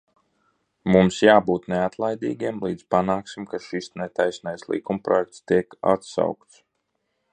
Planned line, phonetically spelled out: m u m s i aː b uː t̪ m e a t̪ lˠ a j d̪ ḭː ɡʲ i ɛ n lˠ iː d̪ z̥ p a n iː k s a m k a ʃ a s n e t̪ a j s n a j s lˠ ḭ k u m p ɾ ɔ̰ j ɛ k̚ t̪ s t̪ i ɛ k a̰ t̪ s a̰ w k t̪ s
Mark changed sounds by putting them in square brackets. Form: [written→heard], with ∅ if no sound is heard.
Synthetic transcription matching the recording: m u m s [i→j] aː b uː t̪ [m→n] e a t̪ lˠ a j d̪ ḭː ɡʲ i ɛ [n→m] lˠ iː d̪ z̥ p a n [iː→aː] k s [a→i] m k a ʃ [a→i] s n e t̪ a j s n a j s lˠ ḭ k u m p ɾ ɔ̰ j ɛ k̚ t̪ s t̪ i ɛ k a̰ t̪ s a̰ w k t̪ s